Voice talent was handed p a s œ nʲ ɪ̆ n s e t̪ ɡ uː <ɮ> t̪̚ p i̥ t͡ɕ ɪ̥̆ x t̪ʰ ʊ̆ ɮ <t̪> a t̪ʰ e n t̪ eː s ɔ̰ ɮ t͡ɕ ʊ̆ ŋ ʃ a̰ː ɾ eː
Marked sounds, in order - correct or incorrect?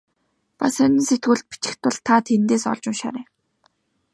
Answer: correct, incorrect: t̪ʰ

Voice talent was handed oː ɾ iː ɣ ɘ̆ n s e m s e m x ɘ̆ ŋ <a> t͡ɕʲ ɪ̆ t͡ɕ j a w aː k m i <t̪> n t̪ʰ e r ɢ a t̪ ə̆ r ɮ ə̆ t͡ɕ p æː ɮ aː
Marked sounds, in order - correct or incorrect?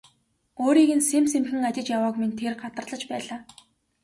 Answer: correct, incorrect: none

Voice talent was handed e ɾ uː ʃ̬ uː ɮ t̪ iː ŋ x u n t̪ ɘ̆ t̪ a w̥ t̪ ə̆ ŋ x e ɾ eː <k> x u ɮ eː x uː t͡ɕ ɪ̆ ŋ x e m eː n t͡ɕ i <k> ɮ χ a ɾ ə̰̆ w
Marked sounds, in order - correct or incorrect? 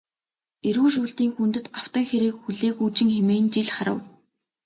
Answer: correct, incorrect: none

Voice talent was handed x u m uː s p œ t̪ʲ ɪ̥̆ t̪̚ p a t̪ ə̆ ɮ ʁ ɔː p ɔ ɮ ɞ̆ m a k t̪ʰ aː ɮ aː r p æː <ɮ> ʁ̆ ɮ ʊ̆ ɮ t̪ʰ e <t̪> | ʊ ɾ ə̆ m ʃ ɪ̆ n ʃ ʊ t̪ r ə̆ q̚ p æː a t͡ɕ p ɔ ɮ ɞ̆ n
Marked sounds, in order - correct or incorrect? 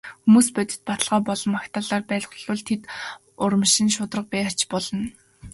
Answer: correct, correct

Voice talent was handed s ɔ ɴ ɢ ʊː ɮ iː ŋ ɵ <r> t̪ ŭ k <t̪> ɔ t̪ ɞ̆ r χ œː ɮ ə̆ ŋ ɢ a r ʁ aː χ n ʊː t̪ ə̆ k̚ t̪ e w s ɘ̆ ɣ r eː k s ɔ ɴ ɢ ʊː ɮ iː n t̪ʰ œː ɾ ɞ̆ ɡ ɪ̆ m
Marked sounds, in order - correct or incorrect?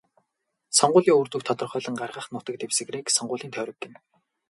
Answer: correct, incorrect: t̪ʰ

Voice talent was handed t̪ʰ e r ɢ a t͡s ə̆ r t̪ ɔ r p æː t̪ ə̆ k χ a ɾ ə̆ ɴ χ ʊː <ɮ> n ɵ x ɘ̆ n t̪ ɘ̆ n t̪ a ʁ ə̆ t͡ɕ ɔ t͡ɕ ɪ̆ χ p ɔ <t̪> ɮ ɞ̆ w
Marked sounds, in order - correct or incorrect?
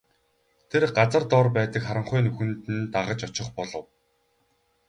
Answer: incorrect: none, incorrect: none

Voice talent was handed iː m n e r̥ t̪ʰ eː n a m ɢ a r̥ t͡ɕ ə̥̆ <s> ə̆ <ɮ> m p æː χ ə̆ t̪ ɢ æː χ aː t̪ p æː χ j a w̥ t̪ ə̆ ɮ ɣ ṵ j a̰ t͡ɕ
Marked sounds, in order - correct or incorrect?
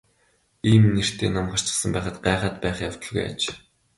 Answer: correct, incorrect: none

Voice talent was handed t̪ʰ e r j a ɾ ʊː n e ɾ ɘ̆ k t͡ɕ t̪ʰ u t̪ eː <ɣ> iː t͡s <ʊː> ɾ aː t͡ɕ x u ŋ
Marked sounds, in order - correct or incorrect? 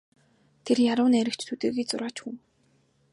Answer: correct, incorrect: ʊ

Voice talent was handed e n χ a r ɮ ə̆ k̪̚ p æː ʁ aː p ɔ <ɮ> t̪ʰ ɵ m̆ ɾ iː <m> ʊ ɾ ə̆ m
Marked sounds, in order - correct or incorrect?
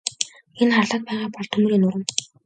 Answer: correct, incorrect: n

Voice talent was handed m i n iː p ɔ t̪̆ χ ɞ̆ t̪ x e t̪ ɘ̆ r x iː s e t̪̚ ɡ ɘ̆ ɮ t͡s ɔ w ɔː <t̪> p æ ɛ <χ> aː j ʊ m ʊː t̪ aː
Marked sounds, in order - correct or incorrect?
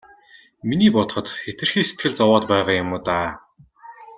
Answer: correct, incorrect: ʁ

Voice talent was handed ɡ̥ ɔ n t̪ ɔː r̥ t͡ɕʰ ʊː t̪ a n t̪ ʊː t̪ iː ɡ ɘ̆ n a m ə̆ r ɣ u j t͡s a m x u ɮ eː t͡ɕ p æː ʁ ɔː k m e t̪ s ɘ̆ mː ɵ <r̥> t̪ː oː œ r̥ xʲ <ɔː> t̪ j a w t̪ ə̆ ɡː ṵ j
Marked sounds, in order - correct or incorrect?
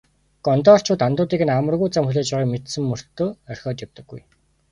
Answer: correct, correct

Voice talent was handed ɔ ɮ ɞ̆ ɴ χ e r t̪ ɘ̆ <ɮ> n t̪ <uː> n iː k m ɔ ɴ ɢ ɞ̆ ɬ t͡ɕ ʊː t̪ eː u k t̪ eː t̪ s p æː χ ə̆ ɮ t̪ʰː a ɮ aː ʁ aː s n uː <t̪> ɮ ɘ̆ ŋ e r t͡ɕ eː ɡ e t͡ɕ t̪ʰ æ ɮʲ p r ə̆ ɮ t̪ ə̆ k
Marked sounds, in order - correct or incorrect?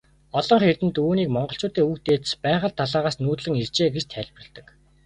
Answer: incorrect: none, correct, correct

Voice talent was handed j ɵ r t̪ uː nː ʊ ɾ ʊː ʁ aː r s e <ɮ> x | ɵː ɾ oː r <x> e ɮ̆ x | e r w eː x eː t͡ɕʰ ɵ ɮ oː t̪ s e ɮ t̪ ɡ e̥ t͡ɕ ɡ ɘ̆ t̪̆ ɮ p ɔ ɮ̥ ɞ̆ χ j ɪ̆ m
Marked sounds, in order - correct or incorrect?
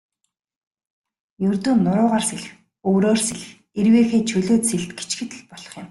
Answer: correct, incorrect: s

